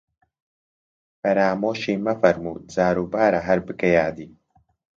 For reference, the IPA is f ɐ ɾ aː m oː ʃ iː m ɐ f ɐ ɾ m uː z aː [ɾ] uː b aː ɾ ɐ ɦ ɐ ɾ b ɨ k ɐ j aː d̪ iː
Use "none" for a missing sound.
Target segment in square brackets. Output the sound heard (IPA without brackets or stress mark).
ɾ